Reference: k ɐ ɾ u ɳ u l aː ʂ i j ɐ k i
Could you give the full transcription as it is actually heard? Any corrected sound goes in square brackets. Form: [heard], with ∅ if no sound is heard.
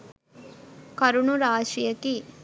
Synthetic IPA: k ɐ ɾ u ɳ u [ɾ] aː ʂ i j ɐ k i